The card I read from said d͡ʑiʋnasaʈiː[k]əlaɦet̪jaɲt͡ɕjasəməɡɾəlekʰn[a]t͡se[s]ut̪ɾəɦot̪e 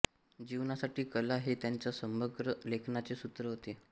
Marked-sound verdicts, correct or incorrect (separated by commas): correct, correct, correct